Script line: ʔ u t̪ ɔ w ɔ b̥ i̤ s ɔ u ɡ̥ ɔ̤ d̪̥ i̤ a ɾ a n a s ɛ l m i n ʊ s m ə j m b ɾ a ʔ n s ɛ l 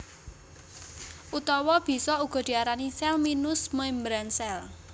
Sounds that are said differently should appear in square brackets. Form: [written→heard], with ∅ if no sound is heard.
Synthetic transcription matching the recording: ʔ u t̪ ɔ w ɔ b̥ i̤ s ɔ u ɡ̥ ɔ̤ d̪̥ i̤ a ɾ a n [a→i] s ɛ l m i n ʊ s m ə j m b ɾ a [ʔ→∅] n s ɛ l

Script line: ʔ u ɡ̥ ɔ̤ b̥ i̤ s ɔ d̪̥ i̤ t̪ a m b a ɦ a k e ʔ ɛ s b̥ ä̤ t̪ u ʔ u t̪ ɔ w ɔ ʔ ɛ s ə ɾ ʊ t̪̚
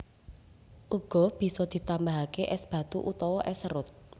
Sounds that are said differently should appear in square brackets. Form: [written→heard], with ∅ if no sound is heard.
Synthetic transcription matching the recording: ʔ u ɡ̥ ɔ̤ b̥ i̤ s ɔ d̪̥ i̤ t̪ a m b a ɦ a k e ʔ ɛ s b̥ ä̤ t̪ u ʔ u t̪ ɔ w ɔ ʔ ɛ s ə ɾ ʊ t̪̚

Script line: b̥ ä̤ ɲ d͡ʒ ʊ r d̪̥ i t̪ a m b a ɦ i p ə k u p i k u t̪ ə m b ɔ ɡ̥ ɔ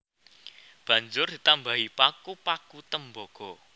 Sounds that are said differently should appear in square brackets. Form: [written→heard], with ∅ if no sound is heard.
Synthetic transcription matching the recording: b̥ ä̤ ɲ d͡ʒ ʊ r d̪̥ i t̪ a m b a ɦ i p [ə→a] k u p [i→a] k u t̪ ə m b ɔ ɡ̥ ɔ

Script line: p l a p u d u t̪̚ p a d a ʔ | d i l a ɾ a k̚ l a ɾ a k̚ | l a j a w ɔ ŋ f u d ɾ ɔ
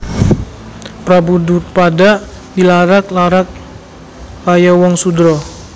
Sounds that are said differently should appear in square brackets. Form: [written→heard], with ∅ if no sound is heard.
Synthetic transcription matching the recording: p [l→ɾ] a [p→b] u d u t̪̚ p a d a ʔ | d i l a ɾ a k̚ l a ɾ a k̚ | l a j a w ɔ ŋ [f→s] u d ɾ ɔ

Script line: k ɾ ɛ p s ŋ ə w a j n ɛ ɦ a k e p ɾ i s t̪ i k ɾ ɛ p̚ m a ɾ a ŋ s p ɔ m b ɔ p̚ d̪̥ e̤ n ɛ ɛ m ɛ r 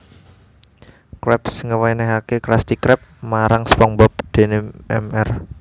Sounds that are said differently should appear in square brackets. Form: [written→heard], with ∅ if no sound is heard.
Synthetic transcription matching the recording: k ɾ ɛ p s ŋ ə w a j n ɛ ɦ a k e [p→k] ɾ [i→a] s t̪ i k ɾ ɛ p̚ m a ɾ a ŋ s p ɔ [m→ŋ] b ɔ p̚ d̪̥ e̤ n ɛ ɛ m ɛ r

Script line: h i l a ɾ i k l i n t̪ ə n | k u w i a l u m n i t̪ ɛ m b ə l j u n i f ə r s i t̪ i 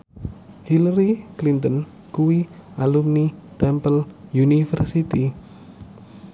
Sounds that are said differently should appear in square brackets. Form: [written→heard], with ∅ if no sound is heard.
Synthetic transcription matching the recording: h i l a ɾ i k l i n t̪ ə n | k u w i a l u m n i t̪ ɛ m [b→p] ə l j u n i f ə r s i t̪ i

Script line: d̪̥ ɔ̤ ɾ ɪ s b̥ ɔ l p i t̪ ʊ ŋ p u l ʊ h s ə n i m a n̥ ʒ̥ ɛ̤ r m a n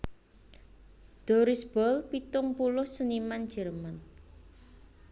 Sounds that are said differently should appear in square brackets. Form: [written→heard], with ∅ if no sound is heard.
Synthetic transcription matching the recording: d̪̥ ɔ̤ ɾ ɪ s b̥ ɔ l p i t̪ ʊ ŋ p u l ʊ h s ə n i m a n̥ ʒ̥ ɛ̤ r m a n

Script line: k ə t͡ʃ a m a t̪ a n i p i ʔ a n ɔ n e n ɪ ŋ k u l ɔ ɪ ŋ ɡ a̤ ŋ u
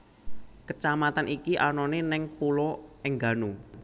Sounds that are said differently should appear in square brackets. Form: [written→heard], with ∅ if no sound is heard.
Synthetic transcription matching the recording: k ə t͡ʃ a m a t̪ a n i [p→k] i ʔ a n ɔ n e n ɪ ŋ [k→p] u l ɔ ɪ ŋ ɡ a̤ [ŋ→n] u

